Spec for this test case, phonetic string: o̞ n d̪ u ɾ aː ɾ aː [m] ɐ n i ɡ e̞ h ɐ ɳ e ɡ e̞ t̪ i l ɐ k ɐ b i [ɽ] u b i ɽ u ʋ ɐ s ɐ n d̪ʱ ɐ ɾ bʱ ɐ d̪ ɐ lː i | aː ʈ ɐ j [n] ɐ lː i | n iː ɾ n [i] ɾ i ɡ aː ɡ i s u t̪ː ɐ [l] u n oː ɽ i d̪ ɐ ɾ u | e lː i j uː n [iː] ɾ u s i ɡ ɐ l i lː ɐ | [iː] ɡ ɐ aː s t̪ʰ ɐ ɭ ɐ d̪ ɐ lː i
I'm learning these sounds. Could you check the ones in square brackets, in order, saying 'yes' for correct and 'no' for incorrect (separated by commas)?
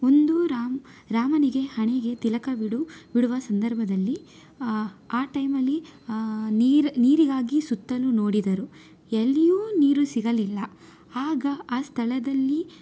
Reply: yes, yes, no, no, yes, yes, no